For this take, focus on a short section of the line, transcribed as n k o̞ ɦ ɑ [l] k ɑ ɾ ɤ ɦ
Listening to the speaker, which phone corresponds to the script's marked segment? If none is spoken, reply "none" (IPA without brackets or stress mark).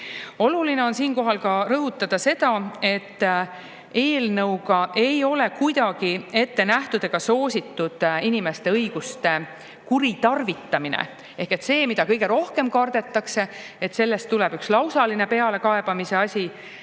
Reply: l